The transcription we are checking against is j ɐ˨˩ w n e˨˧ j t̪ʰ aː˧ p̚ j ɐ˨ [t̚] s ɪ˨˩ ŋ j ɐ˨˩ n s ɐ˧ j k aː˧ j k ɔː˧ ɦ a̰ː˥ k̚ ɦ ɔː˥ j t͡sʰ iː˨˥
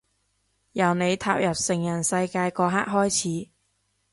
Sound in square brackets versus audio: incorrect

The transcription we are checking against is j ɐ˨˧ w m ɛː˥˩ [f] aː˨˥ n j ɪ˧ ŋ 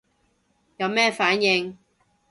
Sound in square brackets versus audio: correct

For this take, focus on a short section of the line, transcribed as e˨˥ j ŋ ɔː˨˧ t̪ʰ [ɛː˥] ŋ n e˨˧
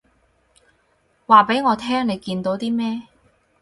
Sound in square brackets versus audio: correct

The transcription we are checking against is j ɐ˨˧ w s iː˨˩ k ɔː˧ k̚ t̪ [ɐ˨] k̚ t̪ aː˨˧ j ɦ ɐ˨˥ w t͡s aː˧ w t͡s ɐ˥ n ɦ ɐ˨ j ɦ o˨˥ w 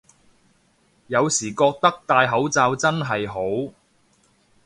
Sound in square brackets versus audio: incorrect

